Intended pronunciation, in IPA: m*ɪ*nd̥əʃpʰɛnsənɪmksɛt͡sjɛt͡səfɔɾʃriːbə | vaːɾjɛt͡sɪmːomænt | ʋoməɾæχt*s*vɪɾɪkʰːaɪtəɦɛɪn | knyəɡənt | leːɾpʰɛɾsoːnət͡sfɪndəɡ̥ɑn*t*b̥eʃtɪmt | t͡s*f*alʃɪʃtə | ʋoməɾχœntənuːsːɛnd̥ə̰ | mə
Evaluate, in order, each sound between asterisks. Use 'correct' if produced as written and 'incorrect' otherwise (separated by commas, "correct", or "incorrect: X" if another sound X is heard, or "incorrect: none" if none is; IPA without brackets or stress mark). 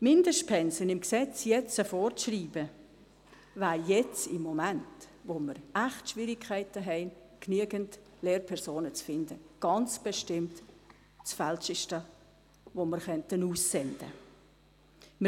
correct, incorrect: ʃ, incorrect: t͡s, correct